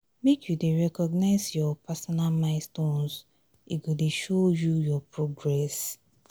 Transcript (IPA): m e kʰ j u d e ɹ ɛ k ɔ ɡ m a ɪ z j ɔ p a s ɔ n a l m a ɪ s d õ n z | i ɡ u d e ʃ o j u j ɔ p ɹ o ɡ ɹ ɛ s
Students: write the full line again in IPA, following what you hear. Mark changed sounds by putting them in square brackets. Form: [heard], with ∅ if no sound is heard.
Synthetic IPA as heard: m e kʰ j u d e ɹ ɛ k ɔ ɡ [n] a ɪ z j ɔ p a s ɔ n a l m a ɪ s [t] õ n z | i ɡ [o] d e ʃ o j u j ɔ p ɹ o ɡ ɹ ɛ s